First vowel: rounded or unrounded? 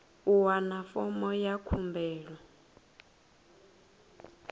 rounded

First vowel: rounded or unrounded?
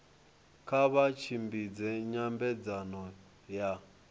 unrounded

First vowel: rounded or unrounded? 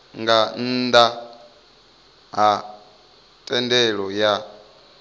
unrounded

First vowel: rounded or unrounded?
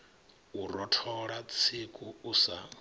rounded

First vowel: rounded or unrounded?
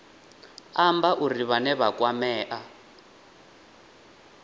unrounded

